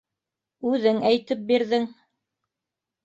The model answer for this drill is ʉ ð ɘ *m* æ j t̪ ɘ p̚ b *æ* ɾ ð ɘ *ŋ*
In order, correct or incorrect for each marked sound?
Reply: incorrect, incorrect, correct

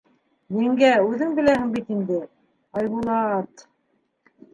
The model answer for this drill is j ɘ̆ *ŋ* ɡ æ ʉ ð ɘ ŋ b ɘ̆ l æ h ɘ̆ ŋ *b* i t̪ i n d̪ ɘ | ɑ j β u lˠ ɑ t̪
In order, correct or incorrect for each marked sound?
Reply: correct, correct

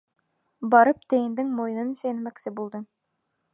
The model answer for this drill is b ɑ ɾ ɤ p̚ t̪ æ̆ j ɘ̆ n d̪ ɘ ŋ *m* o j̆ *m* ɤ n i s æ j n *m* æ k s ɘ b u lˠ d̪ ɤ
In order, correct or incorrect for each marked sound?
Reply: correct, incorrect, correct

